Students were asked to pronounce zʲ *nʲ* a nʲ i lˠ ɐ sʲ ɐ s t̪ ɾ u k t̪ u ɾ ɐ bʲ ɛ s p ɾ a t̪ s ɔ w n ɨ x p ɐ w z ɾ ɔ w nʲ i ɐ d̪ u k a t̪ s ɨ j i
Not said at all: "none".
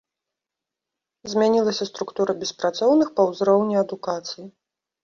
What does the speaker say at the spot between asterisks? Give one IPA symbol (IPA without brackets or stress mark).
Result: mʲ